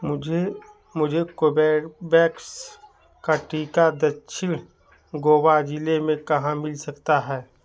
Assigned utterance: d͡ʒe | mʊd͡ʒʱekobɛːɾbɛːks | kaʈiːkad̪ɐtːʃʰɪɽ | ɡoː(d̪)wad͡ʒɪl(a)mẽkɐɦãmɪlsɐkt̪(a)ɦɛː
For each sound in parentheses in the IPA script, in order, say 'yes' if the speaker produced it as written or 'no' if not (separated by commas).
no, no, yes